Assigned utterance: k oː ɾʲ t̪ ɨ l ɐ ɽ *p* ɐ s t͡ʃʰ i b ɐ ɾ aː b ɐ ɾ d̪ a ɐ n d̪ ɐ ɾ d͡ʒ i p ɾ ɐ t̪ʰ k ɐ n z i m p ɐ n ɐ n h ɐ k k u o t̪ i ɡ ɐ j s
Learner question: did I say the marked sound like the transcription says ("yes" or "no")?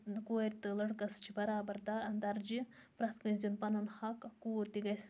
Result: no